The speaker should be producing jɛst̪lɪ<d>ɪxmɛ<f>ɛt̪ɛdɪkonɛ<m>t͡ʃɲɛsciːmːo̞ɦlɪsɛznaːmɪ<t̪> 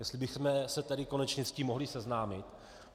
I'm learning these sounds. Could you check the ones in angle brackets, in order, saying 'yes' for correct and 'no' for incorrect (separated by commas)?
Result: no, no, no, yes